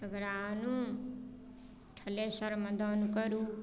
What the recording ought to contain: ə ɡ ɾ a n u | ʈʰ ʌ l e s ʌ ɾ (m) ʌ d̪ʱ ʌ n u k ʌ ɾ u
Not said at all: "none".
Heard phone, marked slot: m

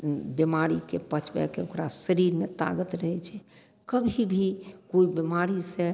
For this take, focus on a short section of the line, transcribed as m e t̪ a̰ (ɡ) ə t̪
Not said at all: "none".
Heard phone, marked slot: ɡ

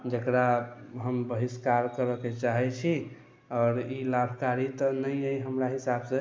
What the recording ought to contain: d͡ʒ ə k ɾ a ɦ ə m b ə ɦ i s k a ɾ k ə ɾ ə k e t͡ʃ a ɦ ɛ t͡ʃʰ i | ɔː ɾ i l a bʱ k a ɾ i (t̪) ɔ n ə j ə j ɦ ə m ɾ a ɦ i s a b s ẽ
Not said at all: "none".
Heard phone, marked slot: t̪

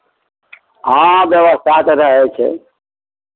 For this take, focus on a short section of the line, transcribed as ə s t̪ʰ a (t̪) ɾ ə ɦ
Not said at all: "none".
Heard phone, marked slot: t̪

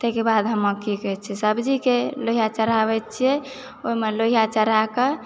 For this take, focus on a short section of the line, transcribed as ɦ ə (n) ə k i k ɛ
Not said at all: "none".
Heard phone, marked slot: m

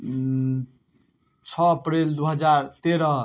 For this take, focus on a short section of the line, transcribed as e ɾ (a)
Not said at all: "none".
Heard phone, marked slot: ʌ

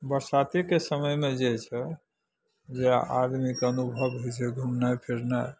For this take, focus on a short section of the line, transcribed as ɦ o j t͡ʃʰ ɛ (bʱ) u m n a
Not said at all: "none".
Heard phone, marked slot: ɡʱ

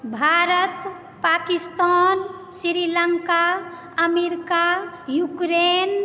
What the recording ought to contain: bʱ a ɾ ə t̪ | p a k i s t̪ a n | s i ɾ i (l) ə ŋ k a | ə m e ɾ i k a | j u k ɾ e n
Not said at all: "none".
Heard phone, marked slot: l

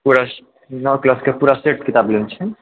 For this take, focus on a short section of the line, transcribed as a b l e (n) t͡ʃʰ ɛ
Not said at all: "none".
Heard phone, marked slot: n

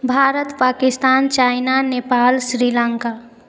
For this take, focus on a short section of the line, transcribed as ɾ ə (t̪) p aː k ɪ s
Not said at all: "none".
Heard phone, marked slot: t̪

